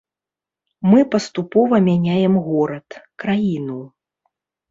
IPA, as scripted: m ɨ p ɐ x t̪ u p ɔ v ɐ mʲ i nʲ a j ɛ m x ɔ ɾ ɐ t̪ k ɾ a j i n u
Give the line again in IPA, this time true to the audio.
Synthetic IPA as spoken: m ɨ p ɐ s t̪ u p ɔ v ɐ mʲ a nʲ a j ɛ m ɣ ɔ ɾ ɐ t̪ k ɾ a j i n u